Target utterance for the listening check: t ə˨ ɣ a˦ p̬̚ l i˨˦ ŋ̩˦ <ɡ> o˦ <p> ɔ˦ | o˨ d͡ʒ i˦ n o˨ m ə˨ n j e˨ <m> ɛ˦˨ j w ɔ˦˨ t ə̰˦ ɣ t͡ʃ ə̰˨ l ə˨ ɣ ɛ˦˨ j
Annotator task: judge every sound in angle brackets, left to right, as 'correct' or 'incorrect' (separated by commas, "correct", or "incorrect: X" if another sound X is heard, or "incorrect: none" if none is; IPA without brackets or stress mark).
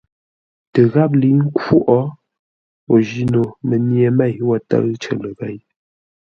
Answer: incorrect: k, incorrect: ʔ, correct